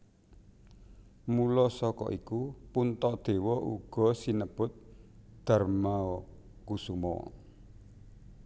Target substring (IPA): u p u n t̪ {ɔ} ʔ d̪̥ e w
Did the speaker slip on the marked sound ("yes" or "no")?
no